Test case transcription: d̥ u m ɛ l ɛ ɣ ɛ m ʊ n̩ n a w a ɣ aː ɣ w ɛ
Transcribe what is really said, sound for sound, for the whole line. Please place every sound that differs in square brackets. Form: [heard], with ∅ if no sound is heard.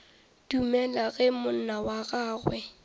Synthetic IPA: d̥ u m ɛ l [a] ɣ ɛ m ʊ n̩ n a w a ɣ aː ɣ w ɛ